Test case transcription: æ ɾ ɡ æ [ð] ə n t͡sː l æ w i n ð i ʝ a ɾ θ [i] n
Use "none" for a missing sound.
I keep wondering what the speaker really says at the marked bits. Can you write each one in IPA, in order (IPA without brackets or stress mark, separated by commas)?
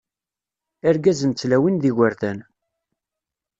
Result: z, æ